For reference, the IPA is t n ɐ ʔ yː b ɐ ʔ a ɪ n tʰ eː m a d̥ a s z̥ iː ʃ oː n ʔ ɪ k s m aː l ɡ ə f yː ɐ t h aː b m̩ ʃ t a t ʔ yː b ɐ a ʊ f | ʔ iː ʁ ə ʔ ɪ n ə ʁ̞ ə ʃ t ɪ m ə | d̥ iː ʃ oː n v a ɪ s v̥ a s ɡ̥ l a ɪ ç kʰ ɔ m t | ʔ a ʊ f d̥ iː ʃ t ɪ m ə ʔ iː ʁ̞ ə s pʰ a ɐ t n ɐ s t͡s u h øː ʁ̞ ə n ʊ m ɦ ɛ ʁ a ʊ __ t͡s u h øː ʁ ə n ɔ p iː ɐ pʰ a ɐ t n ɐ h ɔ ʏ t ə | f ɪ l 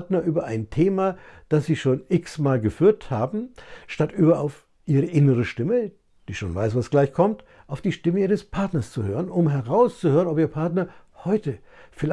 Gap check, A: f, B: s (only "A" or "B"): B